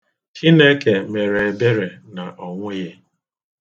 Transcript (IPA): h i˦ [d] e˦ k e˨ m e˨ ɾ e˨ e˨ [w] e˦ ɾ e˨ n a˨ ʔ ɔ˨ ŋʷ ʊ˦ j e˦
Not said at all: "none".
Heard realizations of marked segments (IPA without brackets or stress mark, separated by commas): n, b